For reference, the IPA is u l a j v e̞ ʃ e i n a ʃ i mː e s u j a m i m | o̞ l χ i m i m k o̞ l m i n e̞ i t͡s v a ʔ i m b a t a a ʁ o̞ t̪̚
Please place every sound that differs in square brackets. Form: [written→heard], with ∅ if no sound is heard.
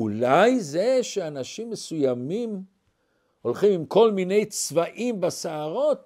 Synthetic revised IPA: u l a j [v→z] e̞ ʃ e [i→a] n a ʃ i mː e s u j a m i m | o̞ l χ i m i m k o̞ l m i n e̞ [i→j] t͡s v a ʔ i m b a [t→s] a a ʁ o̞ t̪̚